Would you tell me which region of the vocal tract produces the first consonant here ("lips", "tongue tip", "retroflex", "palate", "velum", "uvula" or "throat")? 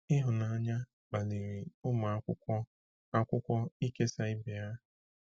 throat